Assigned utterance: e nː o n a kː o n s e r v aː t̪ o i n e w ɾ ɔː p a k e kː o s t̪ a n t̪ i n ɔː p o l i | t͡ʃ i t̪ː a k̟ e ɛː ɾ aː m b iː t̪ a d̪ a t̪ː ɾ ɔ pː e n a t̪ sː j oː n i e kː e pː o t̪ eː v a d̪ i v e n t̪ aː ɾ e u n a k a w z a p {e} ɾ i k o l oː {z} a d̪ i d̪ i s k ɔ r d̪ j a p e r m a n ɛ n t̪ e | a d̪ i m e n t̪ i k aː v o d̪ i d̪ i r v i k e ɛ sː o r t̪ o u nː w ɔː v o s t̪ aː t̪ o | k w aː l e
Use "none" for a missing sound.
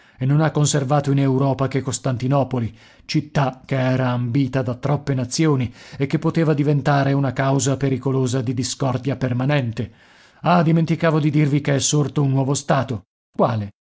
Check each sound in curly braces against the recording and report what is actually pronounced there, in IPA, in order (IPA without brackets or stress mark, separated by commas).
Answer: e, z